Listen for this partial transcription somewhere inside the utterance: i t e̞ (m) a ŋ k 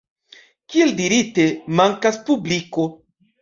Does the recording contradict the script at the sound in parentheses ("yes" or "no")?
no